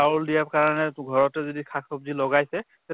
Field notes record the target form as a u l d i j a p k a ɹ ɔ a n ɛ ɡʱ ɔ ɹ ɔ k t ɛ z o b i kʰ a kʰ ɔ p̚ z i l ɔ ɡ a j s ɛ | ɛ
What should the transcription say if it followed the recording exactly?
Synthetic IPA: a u l d i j a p k a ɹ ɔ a n ɛ ɡʱ ɔ ɹ ɔ t ɛ z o d i kʰ a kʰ ɔ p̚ z i l ɔ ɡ a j s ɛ | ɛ